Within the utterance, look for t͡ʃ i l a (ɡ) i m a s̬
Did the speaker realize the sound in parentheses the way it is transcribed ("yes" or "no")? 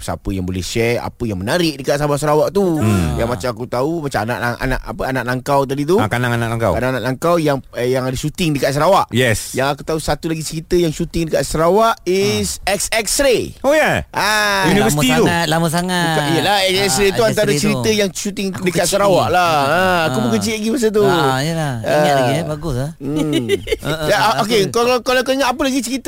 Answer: yes